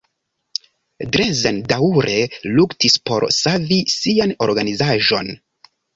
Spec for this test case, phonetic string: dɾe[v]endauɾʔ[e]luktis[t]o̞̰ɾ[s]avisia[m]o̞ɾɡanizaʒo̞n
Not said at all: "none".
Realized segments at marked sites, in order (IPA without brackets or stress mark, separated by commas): z, e, p, s, n